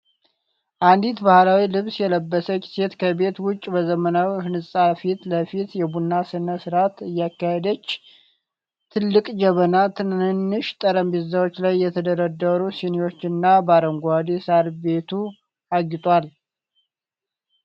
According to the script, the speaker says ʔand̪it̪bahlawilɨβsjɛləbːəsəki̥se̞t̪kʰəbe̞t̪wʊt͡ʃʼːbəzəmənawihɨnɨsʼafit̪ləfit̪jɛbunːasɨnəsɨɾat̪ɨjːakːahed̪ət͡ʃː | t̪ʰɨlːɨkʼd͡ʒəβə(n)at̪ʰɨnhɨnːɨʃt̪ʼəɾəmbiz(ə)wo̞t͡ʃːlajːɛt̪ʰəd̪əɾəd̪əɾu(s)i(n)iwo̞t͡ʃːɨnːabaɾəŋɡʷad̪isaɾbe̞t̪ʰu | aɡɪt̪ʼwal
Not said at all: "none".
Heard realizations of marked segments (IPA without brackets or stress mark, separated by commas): n, a, s, n